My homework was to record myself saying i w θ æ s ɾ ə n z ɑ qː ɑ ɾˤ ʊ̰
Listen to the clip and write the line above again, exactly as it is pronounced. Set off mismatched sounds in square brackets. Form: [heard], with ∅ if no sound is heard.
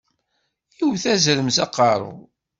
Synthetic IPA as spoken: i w θ æ [z] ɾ ə [m] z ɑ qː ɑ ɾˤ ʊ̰